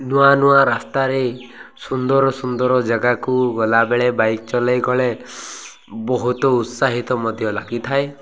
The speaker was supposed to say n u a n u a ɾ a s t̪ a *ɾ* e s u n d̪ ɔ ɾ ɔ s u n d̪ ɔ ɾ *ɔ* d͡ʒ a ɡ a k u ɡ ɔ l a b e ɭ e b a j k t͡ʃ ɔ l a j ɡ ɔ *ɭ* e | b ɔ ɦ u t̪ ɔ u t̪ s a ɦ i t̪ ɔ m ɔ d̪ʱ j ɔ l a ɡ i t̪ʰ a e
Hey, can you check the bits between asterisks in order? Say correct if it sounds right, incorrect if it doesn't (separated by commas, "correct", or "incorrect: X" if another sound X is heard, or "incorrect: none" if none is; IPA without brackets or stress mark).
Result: correct, correct, correct